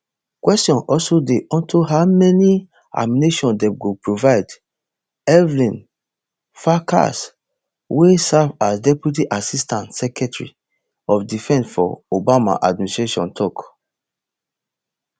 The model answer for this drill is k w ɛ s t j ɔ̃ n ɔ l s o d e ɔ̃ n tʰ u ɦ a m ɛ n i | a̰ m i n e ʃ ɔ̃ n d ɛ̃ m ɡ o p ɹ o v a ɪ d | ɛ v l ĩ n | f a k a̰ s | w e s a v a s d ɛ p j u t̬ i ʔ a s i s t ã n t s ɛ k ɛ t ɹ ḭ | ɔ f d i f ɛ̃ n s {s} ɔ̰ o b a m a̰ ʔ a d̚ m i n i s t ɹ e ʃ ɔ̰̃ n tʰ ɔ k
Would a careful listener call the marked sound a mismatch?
yes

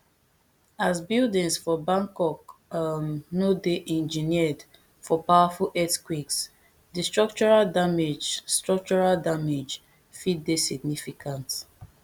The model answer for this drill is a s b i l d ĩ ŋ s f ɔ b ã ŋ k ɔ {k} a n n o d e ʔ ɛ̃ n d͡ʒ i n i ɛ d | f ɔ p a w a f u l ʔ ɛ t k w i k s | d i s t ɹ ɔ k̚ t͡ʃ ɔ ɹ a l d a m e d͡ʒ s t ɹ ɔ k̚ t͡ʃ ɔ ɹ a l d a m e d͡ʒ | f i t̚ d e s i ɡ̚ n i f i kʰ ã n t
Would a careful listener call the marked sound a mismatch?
no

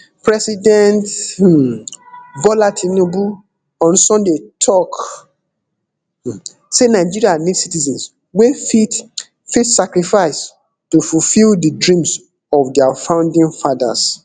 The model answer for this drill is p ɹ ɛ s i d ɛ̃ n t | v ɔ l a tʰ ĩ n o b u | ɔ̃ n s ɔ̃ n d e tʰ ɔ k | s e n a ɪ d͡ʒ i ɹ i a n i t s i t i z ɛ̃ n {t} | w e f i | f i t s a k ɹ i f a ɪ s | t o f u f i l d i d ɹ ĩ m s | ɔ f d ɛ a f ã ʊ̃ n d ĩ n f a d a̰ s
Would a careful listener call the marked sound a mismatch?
yes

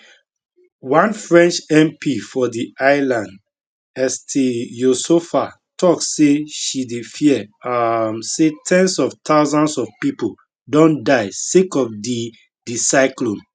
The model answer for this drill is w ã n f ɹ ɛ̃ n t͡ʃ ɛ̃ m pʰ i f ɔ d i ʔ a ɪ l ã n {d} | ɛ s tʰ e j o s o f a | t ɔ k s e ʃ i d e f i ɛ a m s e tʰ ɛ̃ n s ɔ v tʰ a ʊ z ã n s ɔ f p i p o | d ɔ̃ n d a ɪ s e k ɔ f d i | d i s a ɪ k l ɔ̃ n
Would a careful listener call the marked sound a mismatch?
no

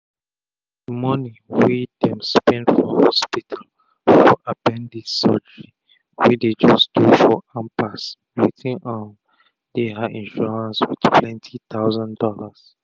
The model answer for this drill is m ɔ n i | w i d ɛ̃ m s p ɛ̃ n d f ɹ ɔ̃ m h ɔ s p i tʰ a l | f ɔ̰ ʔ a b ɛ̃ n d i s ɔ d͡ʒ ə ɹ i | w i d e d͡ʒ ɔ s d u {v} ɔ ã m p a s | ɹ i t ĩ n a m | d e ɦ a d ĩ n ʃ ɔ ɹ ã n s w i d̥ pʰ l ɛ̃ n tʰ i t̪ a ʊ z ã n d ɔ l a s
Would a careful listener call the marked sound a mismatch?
yes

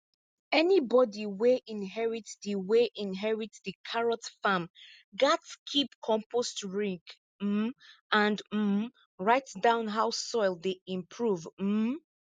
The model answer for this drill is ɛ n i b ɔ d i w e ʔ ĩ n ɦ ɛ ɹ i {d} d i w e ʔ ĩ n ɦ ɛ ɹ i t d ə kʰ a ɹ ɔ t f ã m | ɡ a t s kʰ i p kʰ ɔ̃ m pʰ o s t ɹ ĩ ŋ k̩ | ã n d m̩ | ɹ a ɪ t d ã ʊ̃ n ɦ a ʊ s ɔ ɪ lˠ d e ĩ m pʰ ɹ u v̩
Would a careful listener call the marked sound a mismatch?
yes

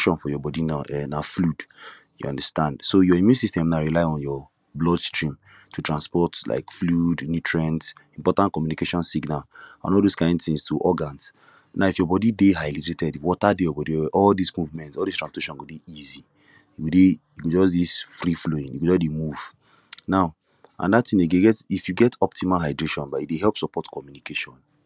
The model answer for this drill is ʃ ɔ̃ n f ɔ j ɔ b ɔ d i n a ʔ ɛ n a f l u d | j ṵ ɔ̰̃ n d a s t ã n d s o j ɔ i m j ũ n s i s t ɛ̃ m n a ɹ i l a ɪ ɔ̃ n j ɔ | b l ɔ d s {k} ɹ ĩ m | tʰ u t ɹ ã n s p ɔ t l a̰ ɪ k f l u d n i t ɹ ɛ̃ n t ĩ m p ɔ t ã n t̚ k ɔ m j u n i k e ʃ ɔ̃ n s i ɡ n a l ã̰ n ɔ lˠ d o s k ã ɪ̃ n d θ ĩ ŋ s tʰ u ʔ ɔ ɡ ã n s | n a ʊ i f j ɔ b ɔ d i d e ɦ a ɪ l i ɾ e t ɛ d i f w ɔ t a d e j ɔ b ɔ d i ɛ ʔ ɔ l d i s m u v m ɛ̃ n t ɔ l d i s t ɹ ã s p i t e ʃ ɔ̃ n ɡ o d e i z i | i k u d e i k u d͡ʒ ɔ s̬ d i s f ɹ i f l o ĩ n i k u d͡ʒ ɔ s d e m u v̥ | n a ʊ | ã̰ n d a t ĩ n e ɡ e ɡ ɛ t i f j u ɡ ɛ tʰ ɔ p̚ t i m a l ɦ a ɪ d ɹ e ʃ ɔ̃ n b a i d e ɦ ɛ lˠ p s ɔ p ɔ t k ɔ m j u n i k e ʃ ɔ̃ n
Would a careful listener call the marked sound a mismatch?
yes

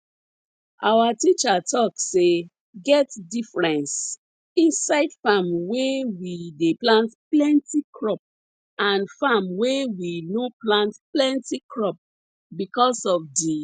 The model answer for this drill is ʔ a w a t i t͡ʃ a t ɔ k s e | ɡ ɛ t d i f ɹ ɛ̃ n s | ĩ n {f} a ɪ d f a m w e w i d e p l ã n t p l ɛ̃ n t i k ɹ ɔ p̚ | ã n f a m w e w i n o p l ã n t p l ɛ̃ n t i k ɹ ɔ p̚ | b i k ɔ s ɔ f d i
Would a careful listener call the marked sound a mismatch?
yes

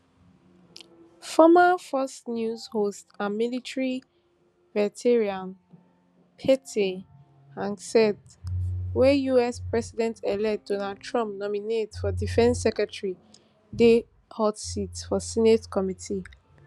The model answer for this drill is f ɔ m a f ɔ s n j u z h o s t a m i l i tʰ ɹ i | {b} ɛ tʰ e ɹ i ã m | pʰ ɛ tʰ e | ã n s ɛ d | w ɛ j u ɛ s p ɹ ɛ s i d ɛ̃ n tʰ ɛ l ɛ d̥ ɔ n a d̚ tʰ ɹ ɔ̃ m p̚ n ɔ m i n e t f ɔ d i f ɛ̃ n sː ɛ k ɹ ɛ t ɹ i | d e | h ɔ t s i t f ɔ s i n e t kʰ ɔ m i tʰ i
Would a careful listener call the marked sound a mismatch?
yes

